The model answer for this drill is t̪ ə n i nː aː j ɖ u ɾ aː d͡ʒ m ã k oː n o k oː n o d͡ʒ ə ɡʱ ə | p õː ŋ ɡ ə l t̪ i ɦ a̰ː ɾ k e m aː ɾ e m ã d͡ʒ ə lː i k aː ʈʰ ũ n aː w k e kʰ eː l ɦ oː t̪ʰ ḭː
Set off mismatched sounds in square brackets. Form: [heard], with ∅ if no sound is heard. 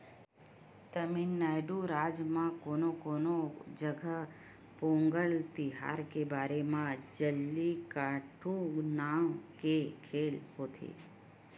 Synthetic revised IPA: t̪ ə [m] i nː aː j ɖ u ɾ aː d͡ʒ m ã k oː n o k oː n o d͡ʒ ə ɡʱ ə | p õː ŋ ɡ ə l t̪ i ɦ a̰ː ɾ k e [b] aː ɾ e m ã d͡ʒ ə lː i k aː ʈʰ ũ n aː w k e kʰ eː l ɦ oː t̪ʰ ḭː